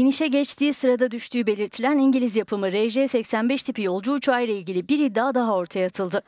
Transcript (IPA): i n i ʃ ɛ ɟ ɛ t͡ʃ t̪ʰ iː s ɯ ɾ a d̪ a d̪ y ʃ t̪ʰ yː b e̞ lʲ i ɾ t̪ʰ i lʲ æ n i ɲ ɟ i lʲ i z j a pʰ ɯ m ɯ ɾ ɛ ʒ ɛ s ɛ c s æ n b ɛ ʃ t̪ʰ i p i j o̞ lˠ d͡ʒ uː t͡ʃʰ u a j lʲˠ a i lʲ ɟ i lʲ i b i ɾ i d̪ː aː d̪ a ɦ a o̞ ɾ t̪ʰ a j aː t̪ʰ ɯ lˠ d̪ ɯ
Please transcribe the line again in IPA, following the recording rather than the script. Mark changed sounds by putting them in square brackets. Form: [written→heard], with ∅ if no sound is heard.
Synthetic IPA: i n i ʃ ɛ ɟ ɛ t͡ʃ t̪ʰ iː s ɯ ɾ a d̪ a d̪ y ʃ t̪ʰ yː b e̞ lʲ i ɾ t̪ʰ i lʲ æ n i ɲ ɟ i lʲ i z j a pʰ ɯ m ɯ ɾ ɛ ʒ ɛ s ɛ c s æ n b ɛ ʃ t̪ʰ i p i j o̞ lˠ d͡ʒ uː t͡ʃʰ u a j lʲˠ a i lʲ ɟ i lʲ i b i ɾ i d̪ː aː d̪ a ɦ a o̞ ɾ t̪ʰ a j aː t̪ʰ ɯ lˠ d̪ ɯ